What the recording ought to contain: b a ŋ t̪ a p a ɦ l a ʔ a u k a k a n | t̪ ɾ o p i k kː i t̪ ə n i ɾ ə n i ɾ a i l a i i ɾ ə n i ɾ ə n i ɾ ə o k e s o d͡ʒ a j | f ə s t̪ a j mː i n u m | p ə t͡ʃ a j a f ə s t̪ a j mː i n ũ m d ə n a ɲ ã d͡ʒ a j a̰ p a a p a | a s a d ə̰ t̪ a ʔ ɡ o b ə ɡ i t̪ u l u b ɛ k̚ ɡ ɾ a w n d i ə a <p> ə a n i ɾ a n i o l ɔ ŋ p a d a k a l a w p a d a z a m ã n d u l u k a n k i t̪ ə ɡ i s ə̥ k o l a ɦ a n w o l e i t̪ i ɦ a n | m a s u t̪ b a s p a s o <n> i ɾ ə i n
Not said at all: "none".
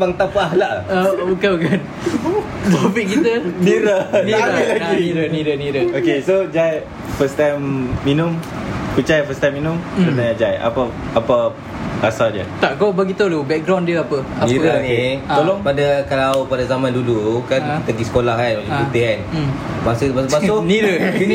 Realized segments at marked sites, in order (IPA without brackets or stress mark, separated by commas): p, n